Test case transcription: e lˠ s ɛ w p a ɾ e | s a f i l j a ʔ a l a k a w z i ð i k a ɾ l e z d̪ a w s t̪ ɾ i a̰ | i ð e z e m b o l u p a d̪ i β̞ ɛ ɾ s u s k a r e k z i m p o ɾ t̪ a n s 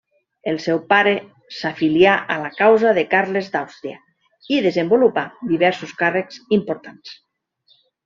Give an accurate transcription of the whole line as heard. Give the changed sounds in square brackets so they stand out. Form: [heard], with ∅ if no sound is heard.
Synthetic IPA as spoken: e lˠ s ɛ w p a ɾ e | s a f i l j a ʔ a l a k a w z [a] ð [e] k a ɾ l e z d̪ a w s t̪ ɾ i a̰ | i ð e z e m b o l u p a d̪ i β̞ ɛ ɾ s u s k a r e k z i m p o ɾ t̪ a n s

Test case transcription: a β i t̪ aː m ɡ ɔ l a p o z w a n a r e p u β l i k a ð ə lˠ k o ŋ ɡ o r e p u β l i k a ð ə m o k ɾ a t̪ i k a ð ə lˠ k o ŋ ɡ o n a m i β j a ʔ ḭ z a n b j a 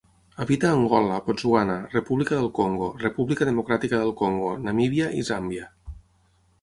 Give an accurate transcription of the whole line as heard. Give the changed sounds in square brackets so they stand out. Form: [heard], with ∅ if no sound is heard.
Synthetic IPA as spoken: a β i t̪ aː [ŋ] ɡ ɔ l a p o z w a n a r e p u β l i k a ð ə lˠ k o ŋ ɡ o r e p u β l i k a ð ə m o k ɾ a t̪ i k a ð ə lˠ k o ŋ ɡ o n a m i β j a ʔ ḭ z a [m] b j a

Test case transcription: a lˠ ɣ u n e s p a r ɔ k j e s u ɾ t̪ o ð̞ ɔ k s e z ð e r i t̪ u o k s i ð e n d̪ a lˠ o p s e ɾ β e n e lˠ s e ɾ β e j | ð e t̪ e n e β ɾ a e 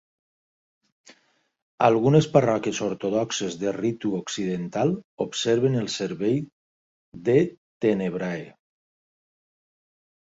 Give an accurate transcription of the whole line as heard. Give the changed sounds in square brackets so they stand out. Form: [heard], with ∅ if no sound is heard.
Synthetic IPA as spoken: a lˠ ɣ u n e s p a r ɔ k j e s [o] ɾ t̪ o ð̞ ɔ k s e z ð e r i t̪ u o k s i ð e n [t̪] a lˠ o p s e ɾ β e n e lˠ s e ɾ β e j | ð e t̪ e n e β ɾ a e

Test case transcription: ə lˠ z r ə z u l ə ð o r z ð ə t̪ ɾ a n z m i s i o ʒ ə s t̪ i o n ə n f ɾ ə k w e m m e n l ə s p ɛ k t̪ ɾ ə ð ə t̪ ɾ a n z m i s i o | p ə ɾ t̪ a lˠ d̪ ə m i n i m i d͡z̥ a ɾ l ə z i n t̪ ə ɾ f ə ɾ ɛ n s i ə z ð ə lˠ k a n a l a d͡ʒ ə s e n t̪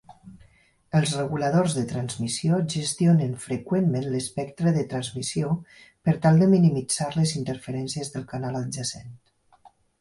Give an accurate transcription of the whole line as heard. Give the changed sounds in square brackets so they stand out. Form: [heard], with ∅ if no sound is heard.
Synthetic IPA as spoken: ə lˠ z r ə [ɣ] u l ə ð o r z ð ə t̪ ɾ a n z m i s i o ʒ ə s t̪ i o n ə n f ɾ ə k w e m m e n l ə s p ɛ k t̪ ɾ ə ð ə t̪ ɾ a n z m i s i o | p ə ɾ t̪ a lˠ d̪ ə m i n i m i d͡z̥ a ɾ l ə z i n t̪ ə ɾ f ə ɾ ɛ n s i ə z ð ə lˠ k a n a l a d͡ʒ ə s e n t̪

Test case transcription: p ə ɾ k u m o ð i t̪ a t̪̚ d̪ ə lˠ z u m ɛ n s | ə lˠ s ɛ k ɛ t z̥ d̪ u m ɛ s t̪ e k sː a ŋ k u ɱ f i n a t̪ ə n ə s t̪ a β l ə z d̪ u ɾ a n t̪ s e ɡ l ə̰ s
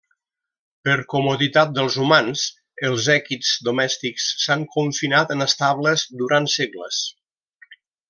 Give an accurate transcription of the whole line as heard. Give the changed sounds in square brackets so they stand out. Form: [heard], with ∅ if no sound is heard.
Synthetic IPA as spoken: p ə ɾ k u m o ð i t̪ a t̪̚ d̪ ə lˠ z u m [a] n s | ə lˠ [z] ɛ k [i] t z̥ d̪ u m ɛ s t̪ [i] k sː a ŋ k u ɱ f i n a t̪ ə n ə s t̪ a β l ə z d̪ u ɾ a n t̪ s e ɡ l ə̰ s

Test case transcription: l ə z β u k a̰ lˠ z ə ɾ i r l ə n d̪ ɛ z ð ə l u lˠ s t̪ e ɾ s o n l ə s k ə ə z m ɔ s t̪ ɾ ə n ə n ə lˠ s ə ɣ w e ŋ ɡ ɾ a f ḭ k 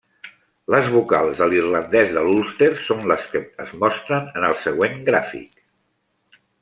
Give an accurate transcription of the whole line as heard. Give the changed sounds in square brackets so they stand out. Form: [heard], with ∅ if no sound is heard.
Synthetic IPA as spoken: l ə z β u k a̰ lˠ z ə [l] i r l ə n d̪ ɛ z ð ə l u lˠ s t̪ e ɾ s o n l ə s k ə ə z m ɔ s t̪ ɾ ə n ə n ə lˠ s ə ɣ w e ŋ ɡ ɾ a f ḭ k

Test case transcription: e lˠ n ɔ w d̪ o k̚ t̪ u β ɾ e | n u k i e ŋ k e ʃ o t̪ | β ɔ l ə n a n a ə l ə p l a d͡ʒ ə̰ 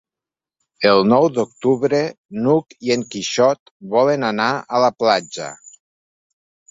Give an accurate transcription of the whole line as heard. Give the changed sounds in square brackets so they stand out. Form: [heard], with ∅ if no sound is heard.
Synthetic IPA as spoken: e lˠ n ɔ w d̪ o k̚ t̪ u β ɾ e | n u k i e ŋ k [i] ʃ [ɔ] t̪ | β ɔ l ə n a n a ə l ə p l a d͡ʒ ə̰

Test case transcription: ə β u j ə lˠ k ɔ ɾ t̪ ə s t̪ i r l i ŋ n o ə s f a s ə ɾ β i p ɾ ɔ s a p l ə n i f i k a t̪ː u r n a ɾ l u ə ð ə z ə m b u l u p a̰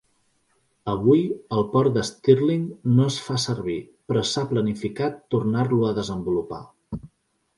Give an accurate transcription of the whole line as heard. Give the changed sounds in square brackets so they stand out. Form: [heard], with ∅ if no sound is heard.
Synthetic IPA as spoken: ə β u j ə lˠ [p] ɔ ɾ [d̪] ə s t̪ i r l i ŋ n o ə s f a s ə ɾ β i p ɾ ɔ s a p l ə n i f i k a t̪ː u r n a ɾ l u ə ð ə z ə m b u l u p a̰

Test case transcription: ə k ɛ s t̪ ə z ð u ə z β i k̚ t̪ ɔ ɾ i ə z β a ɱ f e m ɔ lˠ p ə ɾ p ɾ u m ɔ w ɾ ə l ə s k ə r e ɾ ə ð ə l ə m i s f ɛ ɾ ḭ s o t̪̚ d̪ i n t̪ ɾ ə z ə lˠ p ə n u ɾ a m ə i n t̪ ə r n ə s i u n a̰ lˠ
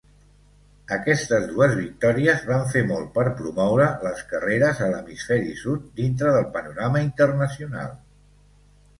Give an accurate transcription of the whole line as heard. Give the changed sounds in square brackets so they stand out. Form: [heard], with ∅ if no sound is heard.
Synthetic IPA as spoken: ə k ɛ s t̪ ə z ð u ə z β i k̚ t̪ ɔ ɾ i ə z β a ɱ f e m ɔ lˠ p ə ɾ p ɾ u m ɔ w ɾ ə l ə s k ə r e ɾ ə [z] ə l ə m i s f ɛ ɾ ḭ s [u] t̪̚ d̪ i n t̪ ɾ ə [ð] ə lˠ p ə n u ɾ a m ə i n t̪ ə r n ə s i u n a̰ lˠ

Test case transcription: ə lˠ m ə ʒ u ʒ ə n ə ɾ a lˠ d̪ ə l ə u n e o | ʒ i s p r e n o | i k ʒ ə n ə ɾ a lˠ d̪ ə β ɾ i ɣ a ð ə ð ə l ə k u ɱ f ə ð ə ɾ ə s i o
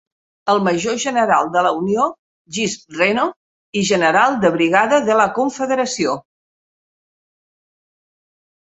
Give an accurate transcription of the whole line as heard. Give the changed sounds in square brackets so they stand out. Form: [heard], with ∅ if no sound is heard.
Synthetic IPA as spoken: ə lˠ m ə ʒ [o] ʒ ə n ə ɾ a lˠ d̪ ə l ə u n [i] o | ʒ i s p r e n o | i [∅] ʒ ə n ə ɾ a lˠ d̪ ə β ɾ i ɣ a ð ə ð ə l ə k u ɱ f ə ð ə ɾ ə s i o

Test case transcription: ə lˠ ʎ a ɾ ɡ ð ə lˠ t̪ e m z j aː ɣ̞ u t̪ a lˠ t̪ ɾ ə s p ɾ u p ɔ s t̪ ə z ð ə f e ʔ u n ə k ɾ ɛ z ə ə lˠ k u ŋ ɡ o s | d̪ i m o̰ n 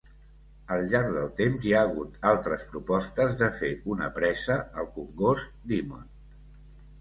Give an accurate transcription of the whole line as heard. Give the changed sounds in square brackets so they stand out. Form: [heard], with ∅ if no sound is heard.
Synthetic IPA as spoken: ə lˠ ʎ a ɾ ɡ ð ə lˠ t̪ e m z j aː ɣ̞ u t̪ a lˠ t̪ ɾ ə s p ɾ u p ɔ s t̪ ə z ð ə f e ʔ u n ə [p] ɾ ɛ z ə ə lˠ k u ŋ ɡ o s | d̪ i m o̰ n

